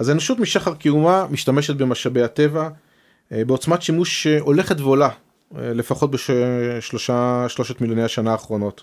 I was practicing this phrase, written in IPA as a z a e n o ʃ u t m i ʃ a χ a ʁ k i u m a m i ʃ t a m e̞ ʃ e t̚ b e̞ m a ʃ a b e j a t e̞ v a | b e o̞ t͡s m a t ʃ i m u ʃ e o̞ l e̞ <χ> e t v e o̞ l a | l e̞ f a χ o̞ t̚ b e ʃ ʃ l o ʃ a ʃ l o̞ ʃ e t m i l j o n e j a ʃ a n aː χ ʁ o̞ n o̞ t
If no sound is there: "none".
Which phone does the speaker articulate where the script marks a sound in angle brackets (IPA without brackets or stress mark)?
χ